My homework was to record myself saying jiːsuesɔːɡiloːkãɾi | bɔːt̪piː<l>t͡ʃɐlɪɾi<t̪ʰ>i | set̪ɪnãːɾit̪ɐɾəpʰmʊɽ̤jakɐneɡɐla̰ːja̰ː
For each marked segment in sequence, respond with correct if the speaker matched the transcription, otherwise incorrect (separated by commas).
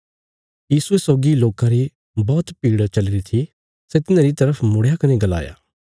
incorrect, correct